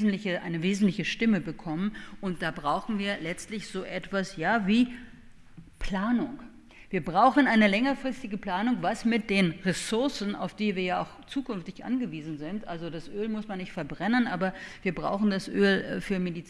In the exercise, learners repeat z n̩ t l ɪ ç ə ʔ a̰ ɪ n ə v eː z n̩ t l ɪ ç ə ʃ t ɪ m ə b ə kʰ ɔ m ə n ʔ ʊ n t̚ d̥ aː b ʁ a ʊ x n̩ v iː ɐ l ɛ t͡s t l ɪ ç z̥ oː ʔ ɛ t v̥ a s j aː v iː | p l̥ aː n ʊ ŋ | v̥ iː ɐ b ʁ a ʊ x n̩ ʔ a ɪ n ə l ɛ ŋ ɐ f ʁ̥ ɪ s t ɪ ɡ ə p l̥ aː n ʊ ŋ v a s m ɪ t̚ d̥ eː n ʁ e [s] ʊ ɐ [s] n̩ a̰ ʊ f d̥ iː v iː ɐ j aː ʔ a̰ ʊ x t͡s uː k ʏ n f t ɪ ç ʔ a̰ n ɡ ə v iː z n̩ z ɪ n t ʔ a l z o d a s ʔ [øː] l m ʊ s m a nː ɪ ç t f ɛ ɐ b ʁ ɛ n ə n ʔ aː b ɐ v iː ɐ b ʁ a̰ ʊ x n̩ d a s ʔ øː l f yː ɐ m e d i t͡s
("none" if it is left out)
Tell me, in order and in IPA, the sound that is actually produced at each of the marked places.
s, s, øː

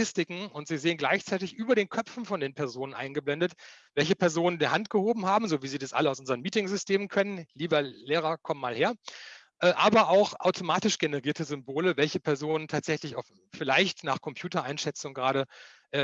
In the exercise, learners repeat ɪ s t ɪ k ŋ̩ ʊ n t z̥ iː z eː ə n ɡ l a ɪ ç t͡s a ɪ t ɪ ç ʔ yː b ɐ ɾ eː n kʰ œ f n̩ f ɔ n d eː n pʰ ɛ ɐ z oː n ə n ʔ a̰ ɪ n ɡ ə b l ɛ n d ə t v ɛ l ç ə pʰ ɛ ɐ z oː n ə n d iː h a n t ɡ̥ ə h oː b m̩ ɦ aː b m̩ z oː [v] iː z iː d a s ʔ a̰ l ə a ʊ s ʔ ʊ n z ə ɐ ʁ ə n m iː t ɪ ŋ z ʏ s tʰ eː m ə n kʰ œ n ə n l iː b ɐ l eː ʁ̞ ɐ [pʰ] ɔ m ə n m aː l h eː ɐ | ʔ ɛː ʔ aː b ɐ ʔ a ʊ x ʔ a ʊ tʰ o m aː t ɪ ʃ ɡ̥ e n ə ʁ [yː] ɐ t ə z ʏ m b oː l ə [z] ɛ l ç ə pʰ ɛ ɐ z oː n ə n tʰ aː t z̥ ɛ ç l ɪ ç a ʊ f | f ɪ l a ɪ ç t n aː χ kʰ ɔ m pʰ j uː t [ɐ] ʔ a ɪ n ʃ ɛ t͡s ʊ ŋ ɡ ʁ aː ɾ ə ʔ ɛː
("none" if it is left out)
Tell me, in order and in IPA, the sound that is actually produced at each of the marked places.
v, kʰ, iː, v, ɐ

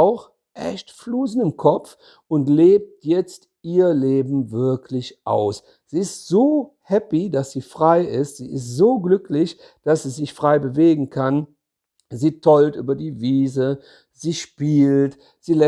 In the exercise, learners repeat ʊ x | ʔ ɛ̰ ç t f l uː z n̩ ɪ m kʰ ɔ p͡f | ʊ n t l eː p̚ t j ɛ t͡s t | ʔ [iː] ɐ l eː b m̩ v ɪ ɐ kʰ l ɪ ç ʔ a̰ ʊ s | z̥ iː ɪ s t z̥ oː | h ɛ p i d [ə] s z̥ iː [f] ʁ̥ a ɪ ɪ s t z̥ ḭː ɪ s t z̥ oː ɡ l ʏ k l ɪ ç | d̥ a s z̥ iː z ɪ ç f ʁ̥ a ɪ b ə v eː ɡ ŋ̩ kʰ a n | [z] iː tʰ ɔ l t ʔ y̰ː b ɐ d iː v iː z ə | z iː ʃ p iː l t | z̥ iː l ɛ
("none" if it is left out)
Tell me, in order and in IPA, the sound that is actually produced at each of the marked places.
iː, a, f, z

